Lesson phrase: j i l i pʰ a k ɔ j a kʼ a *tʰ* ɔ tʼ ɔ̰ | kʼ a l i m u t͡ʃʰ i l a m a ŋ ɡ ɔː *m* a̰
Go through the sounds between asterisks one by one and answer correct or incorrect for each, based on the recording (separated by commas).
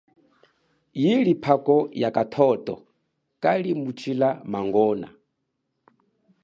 correct, incorrect